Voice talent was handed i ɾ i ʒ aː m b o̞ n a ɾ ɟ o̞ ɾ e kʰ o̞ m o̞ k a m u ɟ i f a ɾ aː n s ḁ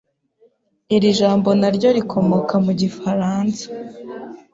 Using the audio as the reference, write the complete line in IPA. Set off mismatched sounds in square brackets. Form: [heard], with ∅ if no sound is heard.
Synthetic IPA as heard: i ɾ i ʒ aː m b o̞ n a ɾ ɟ o̞ ɾ [i] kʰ o̞ m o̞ k a m u ɟ i f a ɾ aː n s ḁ